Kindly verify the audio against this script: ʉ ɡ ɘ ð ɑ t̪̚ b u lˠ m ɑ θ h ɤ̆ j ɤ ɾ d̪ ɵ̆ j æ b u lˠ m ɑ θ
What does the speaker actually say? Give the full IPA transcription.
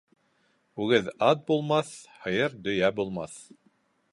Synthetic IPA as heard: ʉ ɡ ɘ ð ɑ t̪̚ b u lˠ m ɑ θ h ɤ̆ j ɤ ɾ d̪ ɵ̆ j æ b u lˠ m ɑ θ